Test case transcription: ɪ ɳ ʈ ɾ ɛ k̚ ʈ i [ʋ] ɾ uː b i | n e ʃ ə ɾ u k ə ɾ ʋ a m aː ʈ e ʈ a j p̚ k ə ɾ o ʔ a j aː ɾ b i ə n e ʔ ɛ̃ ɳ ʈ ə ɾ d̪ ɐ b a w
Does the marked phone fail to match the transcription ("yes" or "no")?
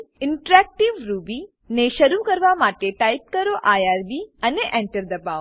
no